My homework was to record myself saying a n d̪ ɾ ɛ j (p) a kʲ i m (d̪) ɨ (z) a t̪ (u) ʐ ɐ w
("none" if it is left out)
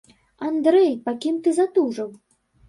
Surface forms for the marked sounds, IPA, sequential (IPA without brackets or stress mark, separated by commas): p, t̪, z, u